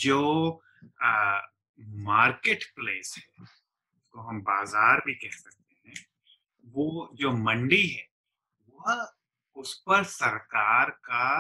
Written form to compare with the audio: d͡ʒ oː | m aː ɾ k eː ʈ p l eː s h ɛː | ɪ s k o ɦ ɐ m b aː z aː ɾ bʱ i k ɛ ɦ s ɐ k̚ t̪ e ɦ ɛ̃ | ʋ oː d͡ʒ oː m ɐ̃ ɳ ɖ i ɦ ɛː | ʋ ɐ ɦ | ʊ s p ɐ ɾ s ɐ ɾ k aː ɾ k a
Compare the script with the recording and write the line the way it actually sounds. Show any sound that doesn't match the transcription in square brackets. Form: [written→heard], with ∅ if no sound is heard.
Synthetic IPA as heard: d͡ʒ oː | m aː ɾ k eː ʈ p l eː s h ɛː | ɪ s k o ɦ ɐ m b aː z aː ɾ bʱ i k ɛ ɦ s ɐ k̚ t̪ e ɦ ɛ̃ | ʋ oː d͡ʒ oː m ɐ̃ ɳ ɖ i ɦ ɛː | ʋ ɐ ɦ | ʊ s p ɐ ɾ s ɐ ɾ k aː ɾ k a